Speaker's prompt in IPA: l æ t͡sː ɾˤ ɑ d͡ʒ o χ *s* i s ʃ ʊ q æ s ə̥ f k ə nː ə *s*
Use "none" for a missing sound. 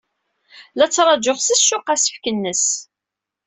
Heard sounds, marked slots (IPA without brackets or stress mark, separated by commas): s, s